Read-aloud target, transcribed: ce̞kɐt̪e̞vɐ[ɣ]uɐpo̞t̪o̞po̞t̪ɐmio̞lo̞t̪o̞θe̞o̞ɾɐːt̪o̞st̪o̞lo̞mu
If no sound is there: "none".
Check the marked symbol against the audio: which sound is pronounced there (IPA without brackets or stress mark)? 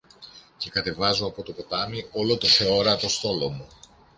z